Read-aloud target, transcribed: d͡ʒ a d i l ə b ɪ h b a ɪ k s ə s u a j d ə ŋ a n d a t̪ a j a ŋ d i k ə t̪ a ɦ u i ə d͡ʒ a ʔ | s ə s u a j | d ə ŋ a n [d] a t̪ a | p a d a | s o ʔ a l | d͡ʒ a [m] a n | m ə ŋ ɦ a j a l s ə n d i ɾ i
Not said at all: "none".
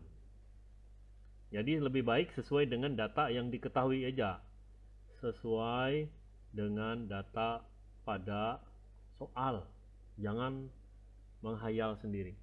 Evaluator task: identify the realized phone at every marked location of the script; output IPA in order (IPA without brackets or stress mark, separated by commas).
d, ŋ